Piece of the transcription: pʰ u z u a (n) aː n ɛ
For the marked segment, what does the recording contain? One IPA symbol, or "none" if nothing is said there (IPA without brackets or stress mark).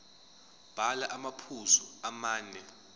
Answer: m